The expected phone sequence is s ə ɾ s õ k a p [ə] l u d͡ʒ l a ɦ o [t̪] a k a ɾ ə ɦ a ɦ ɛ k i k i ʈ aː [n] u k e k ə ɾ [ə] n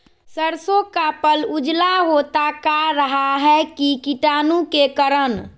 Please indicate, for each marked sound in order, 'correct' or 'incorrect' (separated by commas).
correct, correct, correct, correct